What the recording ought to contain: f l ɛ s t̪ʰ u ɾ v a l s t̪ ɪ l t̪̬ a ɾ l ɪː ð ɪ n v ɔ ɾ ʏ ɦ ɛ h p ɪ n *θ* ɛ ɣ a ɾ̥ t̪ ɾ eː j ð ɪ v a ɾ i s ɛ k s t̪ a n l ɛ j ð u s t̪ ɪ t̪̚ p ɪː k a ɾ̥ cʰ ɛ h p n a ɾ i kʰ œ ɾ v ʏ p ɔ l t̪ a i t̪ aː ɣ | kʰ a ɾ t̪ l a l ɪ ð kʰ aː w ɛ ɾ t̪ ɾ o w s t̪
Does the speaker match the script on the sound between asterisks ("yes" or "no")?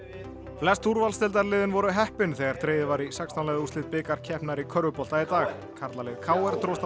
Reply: yes